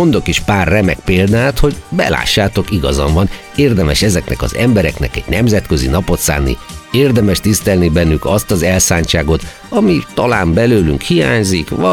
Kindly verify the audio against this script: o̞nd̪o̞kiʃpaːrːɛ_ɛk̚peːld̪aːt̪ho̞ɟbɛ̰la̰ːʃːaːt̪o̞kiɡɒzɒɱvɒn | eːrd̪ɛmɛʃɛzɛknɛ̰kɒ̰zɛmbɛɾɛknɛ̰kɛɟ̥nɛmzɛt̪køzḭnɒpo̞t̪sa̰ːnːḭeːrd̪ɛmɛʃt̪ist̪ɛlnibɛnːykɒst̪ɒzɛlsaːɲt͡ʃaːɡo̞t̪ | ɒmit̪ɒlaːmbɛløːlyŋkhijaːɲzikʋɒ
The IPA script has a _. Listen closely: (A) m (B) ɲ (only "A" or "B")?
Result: A